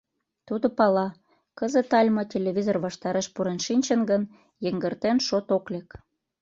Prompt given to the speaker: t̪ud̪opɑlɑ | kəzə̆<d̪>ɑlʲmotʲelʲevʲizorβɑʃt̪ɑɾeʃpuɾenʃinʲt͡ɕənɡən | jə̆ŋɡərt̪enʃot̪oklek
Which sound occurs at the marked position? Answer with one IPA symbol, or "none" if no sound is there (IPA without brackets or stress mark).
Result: t̪